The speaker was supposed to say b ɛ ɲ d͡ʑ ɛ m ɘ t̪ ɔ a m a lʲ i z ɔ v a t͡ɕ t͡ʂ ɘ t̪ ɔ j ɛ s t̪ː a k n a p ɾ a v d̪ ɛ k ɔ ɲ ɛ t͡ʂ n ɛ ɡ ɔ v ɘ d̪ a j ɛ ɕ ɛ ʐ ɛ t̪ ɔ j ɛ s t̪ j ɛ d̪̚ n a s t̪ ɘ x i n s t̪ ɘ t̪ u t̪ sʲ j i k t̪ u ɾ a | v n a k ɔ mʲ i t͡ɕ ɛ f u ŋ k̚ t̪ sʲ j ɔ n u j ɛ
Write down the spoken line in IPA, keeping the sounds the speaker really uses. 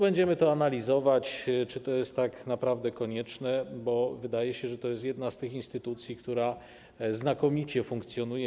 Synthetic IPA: b ɛ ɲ d͡ʑ ɛ m ɘ t̪ ɔ a n a lʲ i z ɔ v a t͡ɕ t͡ʂ ɘ t̪ ɔ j ɛ s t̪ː a k n a p ɾ a v d̪ ɛ k ɔ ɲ ɛ t͡ʂ n ɛ b ɔ v ɘ d̪ a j ɛ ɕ ɛ ʐ ɛ t̪ ɔ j ɛ s t̪ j ɛ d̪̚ n a s t̪ ɘ x i n s t̪ ɘ t̪ u t̪ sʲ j i k t̪ u ɾ a | z n a k ɔ mʲ i t͡ɕ ɛ f u ŋ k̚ t̪ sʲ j ɔ n u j ɛ